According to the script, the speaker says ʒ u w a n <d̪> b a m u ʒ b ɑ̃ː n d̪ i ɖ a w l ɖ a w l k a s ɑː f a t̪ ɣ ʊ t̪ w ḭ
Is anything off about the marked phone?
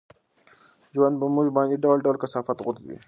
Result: no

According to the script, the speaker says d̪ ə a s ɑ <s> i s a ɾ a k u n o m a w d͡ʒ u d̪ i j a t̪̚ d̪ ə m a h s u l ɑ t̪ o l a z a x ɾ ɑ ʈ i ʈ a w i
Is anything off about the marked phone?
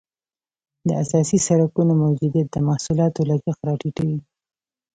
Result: no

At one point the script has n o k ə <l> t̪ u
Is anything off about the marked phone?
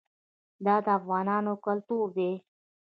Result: no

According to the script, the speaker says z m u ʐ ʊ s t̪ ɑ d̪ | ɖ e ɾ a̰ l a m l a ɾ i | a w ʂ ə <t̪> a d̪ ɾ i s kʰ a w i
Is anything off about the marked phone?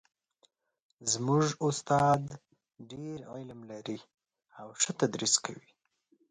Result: no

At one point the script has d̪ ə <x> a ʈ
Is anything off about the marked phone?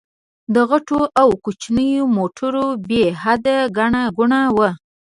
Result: yes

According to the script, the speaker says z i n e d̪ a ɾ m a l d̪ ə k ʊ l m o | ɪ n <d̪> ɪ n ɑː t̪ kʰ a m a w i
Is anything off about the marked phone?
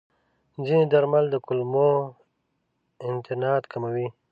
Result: yes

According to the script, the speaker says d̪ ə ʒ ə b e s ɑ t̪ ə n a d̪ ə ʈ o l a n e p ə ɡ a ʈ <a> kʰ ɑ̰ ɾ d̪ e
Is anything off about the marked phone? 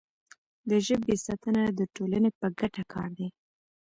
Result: no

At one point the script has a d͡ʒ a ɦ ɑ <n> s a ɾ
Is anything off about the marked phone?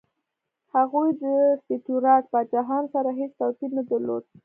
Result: no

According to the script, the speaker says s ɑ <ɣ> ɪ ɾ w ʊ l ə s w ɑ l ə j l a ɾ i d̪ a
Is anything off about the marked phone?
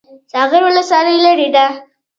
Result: no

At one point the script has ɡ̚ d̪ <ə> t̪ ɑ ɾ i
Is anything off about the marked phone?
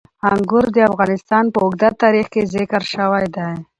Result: yes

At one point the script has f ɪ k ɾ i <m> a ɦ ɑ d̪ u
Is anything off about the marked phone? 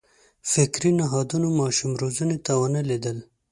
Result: yes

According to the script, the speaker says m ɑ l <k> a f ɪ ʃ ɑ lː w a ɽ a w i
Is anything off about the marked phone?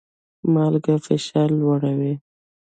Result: yes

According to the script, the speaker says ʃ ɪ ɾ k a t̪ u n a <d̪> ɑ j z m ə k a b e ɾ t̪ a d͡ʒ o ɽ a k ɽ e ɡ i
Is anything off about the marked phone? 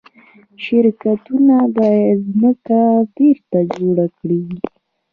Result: no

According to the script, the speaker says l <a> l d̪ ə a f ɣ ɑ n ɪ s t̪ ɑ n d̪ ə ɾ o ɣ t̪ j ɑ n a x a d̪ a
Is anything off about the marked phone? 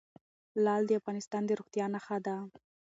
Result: yes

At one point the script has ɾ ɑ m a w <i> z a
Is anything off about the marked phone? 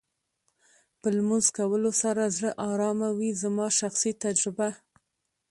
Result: no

